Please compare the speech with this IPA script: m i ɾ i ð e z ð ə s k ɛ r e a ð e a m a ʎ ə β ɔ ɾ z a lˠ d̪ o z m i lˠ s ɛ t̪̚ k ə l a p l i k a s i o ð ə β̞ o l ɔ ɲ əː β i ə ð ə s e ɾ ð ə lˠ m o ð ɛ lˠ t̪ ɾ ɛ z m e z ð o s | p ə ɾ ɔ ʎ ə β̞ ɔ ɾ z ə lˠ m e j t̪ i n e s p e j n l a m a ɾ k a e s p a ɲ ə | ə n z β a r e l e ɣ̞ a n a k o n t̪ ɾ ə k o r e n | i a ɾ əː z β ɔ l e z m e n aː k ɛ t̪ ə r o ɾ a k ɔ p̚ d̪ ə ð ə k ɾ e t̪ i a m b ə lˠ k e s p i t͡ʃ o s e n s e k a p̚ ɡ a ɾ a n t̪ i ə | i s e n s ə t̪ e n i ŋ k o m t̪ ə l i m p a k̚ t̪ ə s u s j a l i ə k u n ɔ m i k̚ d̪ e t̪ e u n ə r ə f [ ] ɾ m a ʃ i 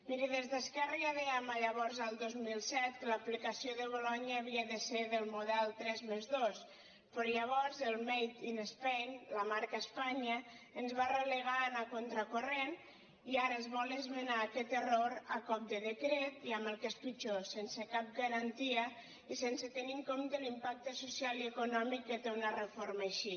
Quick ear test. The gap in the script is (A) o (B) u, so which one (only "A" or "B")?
A